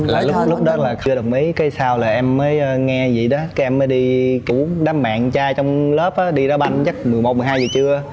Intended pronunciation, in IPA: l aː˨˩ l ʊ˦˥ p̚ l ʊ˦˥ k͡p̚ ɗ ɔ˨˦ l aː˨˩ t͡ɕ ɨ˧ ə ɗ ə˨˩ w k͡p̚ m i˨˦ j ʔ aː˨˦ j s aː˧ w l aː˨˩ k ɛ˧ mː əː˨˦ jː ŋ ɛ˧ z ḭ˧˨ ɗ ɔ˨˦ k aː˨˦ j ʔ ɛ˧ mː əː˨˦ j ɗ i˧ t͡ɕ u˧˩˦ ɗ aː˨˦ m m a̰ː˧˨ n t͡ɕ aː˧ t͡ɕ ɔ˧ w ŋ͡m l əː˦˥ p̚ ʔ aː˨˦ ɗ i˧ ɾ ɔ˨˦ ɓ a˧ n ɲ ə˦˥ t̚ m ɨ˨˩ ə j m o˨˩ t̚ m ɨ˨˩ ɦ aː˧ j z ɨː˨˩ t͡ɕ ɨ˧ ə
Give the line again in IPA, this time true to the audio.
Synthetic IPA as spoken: l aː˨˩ l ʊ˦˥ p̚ l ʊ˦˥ k͡p̚ ɗ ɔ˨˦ l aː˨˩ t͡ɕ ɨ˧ ə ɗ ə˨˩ w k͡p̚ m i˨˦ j k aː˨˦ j s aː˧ w l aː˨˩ ʔ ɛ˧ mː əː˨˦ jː ŋ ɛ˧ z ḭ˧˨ ɗ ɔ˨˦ k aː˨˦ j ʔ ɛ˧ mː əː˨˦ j ɗ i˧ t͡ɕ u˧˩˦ ɗ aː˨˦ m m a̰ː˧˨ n t͡ɕ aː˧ t͡ɕ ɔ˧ w ŋ͡m l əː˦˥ p̚ ʔ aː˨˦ ɗ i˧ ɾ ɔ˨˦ ɓ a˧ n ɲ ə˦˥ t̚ m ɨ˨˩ ə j m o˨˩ t̚ m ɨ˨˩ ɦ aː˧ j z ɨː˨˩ t͡ɕ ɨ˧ ə